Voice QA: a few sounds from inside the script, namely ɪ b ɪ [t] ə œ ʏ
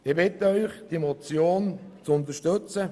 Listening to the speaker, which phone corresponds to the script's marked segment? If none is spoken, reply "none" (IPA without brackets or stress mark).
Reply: t